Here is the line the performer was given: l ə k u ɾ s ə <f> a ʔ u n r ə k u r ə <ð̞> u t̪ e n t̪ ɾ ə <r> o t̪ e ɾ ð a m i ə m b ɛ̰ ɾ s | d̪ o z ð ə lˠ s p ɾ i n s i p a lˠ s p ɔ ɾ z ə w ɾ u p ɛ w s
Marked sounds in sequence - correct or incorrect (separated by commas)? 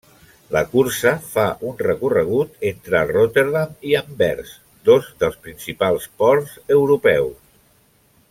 correct, incorrect, correct